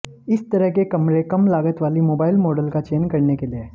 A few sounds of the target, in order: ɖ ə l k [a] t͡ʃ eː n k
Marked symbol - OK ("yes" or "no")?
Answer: yes